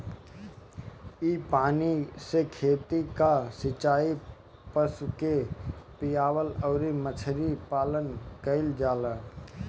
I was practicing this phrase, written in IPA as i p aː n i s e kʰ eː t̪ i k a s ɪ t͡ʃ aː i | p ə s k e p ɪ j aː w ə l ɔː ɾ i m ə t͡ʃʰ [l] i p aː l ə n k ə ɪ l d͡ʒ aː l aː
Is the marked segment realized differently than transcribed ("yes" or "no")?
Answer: yes